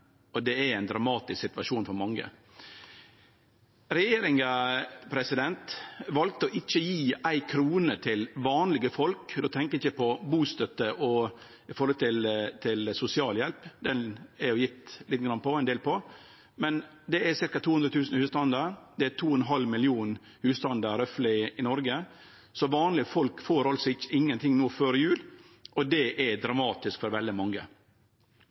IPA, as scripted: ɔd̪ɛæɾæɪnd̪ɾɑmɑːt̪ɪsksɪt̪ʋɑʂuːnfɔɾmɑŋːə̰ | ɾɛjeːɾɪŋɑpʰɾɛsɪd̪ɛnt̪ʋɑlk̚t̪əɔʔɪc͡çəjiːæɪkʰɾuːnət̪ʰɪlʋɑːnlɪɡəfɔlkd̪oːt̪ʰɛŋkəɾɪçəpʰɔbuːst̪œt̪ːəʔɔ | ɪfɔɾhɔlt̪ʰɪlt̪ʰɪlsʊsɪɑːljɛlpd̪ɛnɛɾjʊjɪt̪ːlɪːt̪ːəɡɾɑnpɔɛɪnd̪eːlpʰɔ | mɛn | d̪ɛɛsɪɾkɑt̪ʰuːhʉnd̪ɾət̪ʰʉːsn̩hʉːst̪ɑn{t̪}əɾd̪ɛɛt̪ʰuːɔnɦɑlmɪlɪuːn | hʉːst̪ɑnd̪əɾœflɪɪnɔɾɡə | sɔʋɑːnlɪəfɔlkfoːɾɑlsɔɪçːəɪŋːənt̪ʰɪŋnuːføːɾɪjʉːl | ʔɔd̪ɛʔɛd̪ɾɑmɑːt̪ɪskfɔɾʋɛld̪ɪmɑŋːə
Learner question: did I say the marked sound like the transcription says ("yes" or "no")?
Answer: no